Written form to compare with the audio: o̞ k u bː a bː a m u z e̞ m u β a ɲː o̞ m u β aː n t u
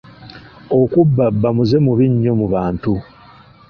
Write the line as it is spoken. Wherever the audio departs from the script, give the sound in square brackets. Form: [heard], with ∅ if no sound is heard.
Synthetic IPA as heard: o̞ k u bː a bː a m u z e̞ m u β [i] ɲː o̞ m u β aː n t u

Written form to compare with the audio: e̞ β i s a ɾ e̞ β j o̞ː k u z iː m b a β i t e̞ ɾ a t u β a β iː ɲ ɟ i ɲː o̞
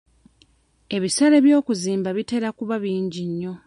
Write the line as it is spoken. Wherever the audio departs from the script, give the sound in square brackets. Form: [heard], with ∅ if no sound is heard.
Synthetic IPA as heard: e̞ β i s a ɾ e̞ β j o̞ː k u z iː m b a β i t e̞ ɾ a [k] u β a β iː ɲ ɟ i ɲː o̞

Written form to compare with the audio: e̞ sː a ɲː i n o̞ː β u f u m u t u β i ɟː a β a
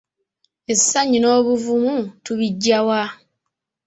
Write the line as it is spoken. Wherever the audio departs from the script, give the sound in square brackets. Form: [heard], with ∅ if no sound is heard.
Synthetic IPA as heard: e̞ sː a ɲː i n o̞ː β u [v] u m u t u β i ɟː a [w] a

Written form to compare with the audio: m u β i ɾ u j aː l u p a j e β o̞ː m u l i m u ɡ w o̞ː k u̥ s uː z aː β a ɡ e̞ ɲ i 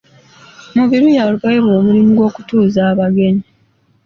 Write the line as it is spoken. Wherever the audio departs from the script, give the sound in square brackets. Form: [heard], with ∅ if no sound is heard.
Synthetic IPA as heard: m u β i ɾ u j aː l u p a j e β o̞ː m u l i m u ɡ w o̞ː k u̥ [t] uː z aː β a ɡ e̞ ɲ i

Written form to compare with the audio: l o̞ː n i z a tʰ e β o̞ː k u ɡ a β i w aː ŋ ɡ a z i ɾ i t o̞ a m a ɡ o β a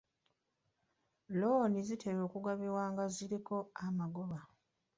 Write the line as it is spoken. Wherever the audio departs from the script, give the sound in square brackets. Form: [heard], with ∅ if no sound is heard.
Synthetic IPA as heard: l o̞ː n i z [i] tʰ e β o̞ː k u ɡ a β i w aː ŋ ɡ a z i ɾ i [k] o̞ a m a ɡ o β a

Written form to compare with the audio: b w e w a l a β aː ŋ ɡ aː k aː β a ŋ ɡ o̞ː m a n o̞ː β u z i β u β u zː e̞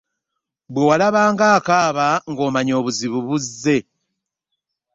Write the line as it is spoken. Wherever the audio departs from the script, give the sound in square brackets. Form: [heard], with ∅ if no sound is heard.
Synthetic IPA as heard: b w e w a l a β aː ŋ ɡ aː k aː β a ŋ ɡ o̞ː m a [ɲ] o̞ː β u z i β u β u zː e̞

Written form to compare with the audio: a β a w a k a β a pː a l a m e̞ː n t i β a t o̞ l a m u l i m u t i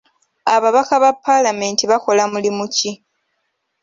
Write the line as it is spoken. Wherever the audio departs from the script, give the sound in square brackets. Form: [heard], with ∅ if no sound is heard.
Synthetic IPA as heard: a β a [β] a k a β a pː a l a m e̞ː n t i β a [k] o̞ l a m u l i m u [c] i

